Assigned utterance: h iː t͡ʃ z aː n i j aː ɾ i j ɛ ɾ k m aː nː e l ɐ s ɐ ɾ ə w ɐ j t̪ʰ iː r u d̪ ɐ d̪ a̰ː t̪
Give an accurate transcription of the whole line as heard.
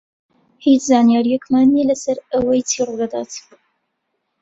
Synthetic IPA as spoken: h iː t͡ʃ z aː n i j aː ɾ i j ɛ k m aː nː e l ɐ s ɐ ɾ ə w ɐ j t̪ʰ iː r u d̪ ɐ d̪ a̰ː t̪